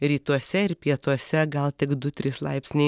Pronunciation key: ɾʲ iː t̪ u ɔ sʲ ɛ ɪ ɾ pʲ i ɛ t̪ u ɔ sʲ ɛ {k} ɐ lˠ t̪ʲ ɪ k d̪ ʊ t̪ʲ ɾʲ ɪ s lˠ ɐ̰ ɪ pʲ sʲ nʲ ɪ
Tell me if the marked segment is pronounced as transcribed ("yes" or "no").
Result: no